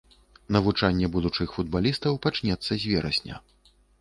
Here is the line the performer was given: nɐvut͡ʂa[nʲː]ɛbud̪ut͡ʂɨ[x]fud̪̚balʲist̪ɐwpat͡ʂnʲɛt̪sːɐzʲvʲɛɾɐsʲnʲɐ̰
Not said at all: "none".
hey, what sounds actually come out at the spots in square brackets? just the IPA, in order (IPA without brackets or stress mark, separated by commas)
nʲː, x